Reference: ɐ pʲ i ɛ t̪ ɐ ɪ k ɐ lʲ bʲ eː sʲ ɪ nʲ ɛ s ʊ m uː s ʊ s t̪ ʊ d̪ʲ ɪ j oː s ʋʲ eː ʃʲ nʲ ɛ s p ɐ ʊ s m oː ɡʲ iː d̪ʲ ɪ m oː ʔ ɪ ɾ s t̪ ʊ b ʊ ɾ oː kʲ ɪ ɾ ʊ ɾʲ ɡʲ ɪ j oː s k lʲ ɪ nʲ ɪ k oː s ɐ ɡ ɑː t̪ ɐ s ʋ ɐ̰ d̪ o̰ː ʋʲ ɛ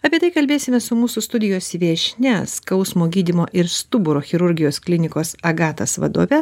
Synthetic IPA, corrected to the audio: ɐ pʲ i ɛ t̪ ɐ ɪ k ɐ lʲ bʲ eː sʲ ɪ mʲ ɛ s ʊ m uː s ʊ s t̪ ʊ d̪ʲ ɪ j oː s ʋʲ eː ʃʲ nʲ ɛ s k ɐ ʊ s m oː ɡʲ iː d̪ʲ ɪ m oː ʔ ɪ ɾ s t̪ ʊ b ʊ ɾ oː xʲ ɪ ɾ ʊ ɾʲ ɡʲ ɪ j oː s k lʲ ɪ nʲ ɪ k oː s ɐ ɡ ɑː t̪ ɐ s ʋ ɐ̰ d̪ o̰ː ʋʲ ɛ